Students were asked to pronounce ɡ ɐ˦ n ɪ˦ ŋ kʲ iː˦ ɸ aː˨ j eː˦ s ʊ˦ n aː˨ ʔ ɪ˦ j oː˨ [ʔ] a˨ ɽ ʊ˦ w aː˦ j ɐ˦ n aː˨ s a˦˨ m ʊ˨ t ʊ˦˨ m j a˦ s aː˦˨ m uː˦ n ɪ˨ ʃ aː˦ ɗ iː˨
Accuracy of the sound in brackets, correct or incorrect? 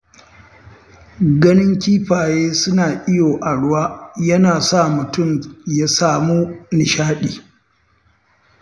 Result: correct